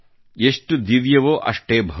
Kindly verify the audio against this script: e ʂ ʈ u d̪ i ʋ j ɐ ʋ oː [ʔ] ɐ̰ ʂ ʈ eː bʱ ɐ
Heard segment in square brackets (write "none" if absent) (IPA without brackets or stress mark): ʔ